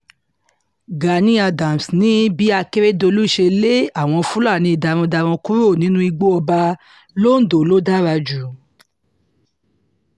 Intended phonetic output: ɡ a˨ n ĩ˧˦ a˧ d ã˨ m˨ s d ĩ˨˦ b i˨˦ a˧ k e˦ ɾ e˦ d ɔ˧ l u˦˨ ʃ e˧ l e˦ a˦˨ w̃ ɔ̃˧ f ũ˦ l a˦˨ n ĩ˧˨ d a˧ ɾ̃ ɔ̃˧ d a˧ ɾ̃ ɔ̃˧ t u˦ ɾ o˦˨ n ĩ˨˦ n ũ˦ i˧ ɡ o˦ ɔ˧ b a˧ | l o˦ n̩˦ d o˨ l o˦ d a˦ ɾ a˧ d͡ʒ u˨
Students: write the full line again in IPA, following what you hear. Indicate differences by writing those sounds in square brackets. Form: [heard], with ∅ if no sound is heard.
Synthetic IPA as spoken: ɡ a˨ n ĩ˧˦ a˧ d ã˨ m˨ s [n] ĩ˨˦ b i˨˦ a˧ k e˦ ɾ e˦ d [o˧] l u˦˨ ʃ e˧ l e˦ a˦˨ w̃ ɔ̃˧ f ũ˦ l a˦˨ n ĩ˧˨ d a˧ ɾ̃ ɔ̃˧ d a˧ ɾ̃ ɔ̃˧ [k] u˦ ɾ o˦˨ n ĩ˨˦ n ũ˦ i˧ [ɡ͡b] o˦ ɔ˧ b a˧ | l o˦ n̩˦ d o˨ l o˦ d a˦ ɾ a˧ d͡ʒ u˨